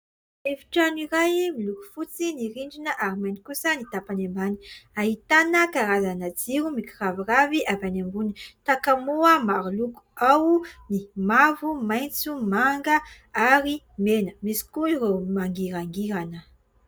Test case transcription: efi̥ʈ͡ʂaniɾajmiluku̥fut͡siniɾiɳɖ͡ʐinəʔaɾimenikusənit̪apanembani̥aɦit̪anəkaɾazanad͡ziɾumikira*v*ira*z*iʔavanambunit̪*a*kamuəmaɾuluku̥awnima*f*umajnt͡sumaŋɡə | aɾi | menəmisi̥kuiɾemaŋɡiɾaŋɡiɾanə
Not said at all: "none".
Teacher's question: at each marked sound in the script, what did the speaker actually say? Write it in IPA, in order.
v, v, a, v

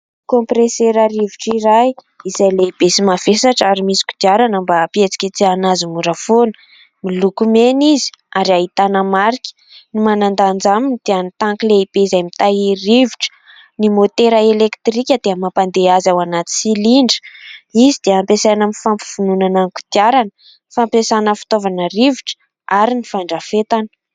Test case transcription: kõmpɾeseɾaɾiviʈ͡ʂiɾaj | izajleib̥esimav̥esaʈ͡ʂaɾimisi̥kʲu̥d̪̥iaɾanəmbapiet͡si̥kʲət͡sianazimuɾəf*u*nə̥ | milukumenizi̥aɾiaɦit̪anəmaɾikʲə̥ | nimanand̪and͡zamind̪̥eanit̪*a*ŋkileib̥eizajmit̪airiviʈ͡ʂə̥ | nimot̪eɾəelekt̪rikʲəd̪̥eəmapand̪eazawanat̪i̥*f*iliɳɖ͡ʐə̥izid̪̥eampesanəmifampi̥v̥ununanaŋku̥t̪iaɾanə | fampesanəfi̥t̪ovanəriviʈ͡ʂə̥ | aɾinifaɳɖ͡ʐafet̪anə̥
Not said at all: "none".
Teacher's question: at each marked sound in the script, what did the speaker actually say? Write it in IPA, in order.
o, a, s

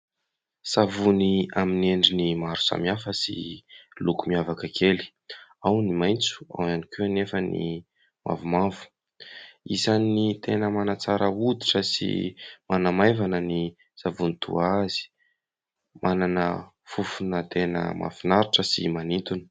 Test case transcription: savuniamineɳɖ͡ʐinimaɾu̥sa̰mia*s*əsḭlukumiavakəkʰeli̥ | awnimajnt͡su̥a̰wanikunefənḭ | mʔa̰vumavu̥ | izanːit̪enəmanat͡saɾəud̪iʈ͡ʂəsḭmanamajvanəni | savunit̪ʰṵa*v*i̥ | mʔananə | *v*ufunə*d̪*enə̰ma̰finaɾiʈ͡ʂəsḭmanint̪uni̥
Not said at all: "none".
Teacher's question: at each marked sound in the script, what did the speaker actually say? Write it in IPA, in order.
f, z, f, t̪

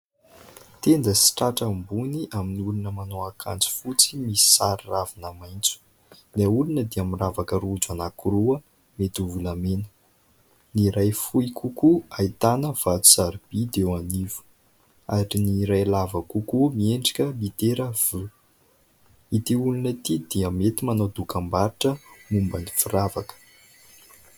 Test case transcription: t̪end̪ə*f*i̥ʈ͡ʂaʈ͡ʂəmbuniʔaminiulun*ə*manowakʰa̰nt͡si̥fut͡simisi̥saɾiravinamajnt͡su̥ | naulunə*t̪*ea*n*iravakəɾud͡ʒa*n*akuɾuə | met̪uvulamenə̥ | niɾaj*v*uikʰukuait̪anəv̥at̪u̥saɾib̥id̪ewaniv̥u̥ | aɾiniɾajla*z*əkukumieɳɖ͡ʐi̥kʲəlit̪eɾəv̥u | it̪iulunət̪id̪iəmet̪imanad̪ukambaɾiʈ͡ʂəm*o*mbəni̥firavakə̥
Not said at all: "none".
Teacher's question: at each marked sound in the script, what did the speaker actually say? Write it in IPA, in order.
s, ə, d̪, m, n, f, v, u

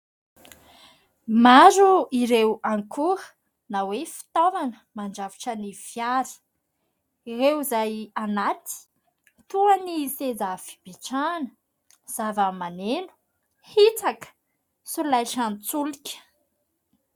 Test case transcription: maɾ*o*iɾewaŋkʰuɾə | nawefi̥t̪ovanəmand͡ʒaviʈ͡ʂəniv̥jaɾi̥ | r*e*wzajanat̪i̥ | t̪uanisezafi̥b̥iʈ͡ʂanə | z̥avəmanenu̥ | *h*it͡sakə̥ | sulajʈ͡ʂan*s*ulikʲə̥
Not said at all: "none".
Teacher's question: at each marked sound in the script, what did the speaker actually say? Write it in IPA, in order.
u, e, h, t͡s

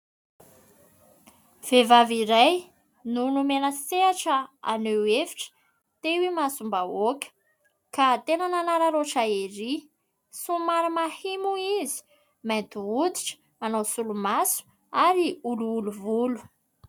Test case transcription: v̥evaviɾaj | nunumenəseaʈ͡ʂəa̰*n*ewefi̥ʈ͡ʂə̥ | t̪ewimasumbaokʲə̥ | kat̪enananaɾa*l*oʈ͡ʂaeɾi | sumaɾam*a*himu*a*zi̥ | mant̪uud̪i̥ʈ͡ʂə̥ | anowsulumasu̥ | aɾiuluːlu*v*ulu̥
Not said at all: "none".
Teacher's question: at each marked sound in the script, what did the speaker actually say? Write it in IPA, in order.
n, ɾ, a, i, v

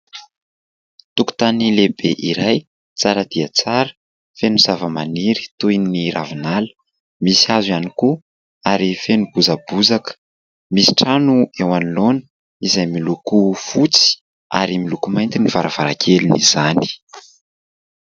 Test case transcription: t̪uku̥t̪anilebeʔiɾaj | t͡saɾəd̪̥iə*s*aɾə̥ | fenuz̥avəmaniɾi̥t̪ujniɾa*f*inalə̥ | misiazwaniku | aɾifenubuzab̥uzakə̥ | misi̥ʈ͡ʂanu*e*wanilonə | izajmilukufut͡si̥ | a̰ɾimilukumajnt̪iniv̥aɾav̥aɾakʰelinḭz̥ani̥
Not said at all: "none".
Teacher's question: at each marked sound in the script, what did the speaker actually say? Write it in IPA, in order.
t͡s, v, e

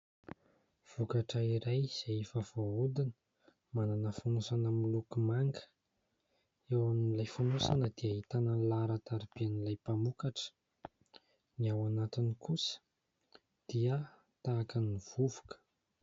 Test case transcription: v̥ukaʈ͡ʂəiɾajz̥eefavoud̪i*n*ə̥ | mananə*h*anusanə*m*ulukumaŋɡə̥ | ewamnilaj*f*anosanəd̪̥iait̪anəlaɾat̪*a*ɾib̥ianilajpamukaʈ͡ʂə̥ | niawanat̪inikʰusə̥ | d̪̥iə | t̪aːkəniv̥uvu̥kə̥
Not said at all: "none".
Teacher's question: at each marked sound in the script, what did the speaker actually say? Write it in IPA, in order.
n, f, m, f, a

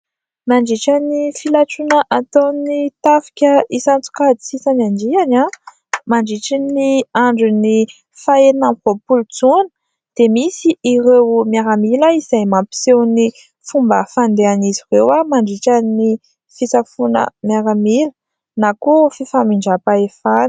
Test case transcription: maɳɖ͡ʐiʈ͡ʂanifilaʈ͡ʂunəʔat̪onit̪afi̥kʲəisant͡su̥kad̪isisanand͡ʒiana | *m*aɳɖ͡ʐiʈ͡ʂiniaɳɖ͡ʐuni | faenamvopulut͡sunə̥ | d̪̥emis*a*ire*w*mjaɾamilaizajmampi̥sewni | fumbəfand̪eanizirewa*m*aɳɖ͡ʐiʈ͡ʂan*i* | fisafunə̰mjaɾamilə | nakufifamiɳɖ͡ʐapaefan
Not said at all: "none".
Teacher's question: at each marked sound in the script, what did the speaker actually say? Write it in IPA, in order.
m, i, w, m, i

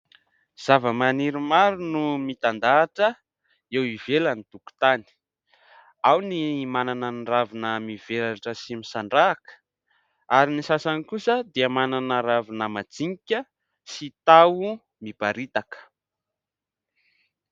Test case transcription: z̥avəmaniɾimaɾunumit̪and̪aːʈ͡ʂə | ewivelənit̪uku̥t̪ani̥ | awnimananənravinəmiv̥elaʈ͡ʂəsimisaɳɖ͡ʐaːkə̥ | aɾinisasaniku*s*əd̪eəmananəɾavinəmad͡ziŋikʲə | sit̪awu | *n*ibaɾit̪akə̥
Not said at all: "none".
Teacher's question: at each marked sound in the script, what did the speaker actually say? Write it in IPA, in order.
s, m

